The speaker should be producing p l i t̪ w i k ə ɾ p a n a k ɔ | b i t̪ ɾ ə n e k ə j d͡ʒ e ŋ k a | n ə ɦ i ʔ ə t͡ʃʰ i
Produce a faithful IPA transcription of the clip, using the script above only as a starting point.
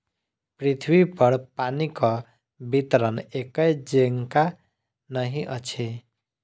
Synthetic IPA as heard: p ɾ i t̪ʰ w i p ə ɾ p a n i k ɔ | b i t̪ ɾ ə n e k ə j d͡ʒ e ŋ k a | n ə ɦ i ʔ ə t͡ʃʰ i

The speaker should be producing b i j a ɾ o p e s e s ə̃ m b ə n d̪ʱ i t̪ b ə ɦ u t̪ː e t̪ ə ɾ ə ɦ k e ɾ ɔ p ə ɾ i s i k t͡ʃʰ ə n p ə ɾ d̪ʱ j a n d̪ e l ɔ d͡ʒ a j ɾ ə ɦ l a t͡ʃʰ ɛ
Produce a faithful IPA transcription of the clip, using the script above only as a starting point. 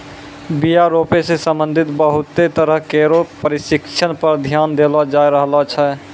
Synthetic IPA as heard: b i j a ɾ o p e s e s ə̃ m b ə n d̪ʱ i t̪ b ə ɦ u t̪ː e t̪ ə ɾ ə ɦ k e ɾ o p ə ɾ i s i k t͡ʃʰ ə n p ə ɾ d̪ʱ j a n d̪ e l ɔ d͡ʒ a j ɾ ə ɦ l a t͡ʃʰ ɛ

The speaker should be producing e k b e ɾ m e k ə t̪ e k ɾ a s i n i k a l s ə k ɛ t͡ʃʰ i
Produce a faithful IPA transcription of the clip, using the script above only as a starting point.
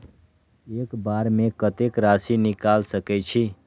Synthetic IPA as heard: e k b a ɾ m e k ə t̪ e k ɾ a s i n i k a l s ə k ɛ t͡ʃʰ i

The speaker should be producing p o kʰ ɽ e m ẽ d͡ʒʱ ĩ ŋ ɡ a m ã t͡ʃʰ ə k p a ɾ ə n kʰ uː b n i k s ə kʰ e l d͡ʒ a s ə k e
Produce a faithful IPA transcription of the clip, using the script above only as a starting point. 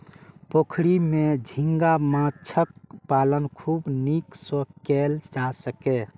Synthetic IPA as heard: p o kʰ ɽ i m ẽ d͡ʒʱ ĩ ŋ ɡ a m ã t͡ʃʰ ə k p a l ə n kʰ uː b n i k s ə k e l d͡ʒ a s ə k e

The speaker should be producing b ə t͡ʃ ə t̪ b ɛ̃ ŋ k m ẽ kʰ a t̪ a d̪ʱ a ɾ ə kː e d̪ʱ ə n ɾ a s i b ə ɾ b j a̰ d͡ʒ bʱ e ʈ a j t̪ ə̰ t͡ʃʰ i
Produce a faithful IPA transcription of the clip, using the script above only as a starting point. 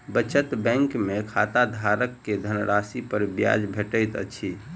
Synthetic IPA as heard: b ə t͡ʃ ə t̪ b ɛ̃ ŋ k m e kʰ a t̪ a d̪ʱ a ɾ ə kː e d̪ʱ ə n ɾ a s i p ə ɾ b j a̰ d͡ʒ bʱ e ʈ ə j t̪ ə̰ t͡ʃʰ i

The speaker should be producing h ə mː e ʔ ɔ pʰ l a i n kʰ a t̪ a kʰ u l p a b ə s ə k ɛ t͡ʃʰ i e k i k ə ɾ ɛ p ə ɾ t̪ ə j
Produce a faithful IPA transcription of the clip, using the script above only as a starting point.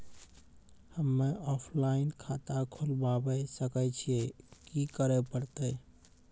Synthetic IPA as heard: h ə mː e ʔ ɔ pʰ l a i n kʰ a t̪ a kʰ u l b a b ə s ə k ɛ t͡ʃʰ i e k i k ə ɾ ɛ p ə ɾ t̪ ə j

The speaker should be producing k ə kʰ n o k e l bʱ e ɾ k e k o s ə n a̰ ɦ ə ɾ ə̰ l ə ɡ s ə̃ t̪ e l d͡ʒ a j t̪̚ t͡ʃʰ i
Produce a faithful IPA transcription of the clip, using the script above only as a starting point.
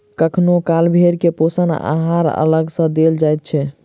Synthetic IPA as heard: k ə kʰ n o k a l bʱ e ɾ k e p o s ə n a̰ ɦ a ɾ ə̰ l ə ɡ s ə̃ d̪ e l d͡ʒ a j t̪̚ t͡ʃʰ ɛ

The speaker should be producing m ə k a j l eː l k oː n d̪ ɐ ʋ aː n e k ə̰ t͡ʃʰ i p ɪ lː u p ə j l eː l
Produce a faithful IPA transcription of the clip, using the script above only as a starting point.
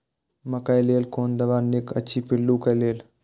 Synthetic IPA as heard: m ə k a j l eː l k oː n d̪ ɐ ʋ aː n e k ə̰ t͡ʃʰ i p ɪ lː u k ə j l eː l

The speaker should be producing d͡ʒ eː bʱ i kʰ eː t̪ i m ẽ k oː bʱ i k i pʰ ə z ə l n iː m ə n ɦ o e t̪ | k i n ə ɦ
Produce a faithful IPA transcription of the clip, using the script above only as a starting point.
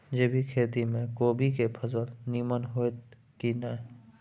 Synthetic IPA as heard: d͡ʒ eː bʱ i kʰ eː t̪ i m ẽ k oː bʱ i k e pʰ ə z ə l n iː m ə n ɦ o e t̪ | k i n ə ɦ

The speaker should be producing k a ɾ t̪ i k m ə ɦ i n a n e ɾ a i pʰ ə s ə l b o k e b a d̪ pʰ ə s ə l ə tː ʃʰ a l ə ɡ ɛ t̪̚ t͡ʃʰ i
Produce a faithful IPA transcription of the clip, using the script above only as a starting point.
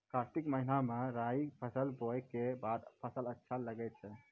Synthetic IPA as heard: k a ɾ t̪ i k m ə ɦ i n a m e ɾ a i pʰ ə s ə l b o k e b a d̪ pʰ ə s ə l ə tː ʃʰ a l ə ɡ ɛ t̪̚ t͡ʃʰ ɛ

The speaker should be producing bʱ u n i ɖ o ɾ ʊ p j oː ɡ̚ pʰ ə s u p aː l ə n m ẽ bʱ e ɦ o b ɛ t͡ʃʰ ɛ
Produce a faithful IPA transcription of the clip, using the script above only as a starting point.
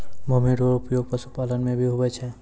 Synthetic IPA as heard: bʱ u m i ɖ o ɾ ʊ p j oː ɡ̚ p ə s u p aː l ə n m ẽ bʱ i ɦ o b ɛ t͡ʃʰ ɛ

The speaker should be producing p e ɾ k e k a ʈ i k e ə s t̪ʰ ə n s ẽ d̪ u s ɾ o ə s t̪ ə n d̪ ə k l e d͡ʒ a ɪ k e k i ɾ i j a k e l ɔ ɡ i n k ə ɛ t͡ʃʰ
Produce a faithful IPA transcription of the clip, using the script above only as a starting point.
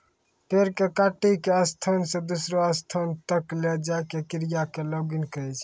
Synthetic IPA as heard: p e ɾ k e k a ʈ i k e ə s t̪ʰ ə n s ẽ d̪ u s ɾ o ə s t̪ʰ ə n t̪ ə k l e d͡ʒ a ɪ k e k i ɾ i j a k e l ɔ ɡ i n k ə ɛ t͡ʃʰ

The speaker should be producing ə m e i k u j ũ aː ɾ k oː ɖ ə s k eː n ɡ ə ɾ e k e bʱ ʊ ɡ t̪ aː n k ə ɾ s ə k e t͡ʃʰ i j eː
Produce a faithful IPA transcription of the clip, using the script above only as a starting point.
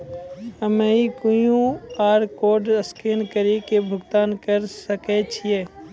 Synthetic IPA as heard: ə m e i k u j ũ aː ɾ k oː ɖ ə s k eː n k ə ɾ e k e bʱ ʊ ɡ t̪ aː n k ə ɾ s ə k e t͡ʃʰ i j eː

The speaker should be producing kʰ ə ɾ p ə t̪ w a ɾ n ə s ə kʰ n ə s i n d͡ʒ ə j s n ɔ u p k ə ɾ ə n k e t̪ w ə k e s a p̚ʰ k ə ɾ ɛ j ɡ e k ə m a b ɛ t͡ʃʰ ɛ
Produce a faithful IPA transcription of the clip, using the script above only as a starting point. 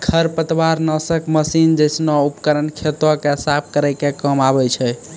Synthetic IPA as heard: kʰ ə ɾ p ə t̪ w a ɾ n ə s ə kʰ m ə s i n d͡ʒ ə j s n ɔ u p k ə ɾ ə n kʰ e t̪ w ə k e s a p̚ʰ k ə ɾ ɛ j k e k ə m a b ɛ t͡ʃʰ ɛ

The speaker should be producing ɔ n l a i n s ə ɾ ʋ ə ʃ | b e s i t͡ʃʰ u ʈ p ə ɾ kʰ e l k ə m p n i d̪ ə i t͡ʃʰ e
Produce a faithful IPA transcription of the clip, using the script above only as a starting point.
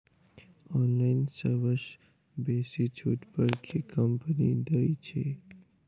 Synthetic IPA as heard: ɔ n l a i n s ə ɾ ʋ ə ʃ | b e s i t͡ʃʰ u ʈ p ə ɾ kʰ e k ə m p n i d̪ ə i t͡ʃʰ e

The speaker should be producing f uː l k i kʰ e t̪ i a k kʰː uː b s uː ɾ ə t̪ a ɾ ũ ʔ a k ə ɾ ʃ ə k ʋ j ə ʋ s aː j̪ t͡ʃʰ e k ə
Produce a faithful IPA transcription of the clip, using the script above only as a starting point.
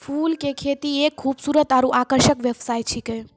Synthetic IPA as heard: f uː l k e kʰ e t̪ i e k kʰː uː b s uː ɾ ə t̪ a ɾ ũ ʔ a k ə ɾ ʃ ə k ʋ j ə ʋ s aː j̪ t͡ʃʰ i k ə

